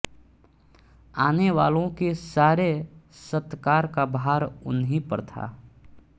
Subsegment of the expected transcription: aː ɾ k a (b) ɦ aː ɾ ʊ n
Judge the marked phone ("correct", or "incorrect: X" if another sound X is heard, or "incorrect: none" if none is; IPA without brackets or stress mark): correct